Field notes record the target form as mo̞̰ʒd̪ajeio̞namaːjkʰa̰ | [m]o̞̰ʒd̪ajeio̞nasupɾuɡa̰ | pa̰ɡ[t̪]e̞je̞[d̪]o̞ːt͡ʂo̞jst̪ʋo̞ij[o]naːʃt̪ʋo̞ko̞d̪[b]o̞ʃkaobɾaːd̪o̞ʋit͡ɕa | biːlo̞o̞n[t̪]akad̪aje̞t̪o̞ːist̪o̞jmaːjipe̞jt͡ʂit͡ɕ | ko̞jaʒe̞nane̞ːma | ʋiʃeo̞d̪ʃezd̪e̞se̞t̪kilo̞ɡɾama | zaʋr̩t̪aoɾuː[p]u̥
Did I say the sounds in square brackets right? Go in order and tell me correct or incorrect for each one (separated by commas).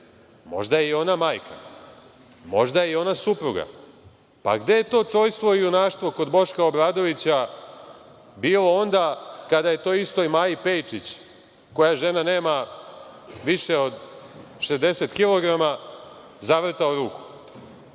correct, incorrect, incorrect, incorrect, correct, incorrect, incorrect